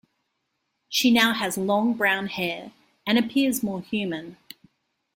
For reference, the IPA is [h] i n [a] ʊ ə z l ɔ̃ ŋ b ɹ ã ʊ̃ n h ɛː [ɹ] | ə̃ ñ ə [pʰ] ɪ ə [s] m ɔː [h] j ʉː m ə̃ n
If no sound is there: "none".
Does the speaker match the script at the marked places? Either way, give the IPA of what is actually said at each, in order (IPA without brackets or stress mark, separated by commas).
ʃ, a, ɹ, pʰ, z, h